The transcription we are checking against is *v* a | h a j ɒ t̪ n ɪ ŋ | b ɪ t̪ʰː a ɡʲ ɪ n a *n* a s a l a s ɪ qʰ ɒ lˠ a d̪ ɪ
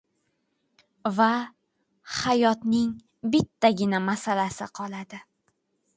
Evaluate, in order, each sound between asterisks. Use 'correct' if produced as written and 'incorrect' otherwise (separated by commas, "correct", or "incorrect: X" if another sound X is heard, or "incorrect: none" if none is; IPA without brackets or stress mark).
correct, incorrect: m